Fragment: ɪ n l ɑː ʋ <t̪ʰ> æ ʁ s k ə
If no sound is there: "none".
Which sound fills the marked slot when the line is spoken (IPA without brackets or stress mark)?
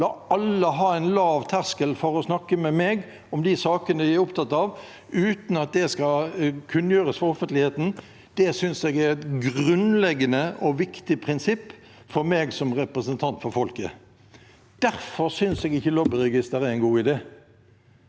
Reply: t̪ʰ